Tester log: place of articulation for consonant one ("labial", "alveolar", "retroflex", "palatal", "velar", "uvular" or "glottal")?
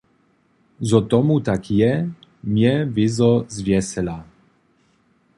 alveolar